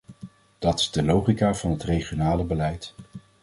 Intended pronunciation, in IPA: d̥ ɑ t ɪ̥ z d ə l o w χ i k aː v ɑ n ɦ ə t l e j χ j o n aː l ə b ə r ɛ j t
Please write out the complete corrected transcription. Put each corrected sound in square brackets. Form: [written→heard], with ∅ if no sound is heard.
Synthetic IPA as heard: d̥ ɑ t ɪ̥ z d ə l o w χ i k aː v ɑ n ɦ ə t [l→r] e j χ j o n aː l ə b ə [r→l] ɛ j t